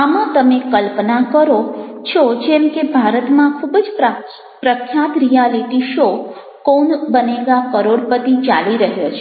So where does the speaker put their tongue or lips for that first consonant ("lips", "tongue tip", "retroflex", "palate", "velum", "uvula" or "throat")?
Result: lips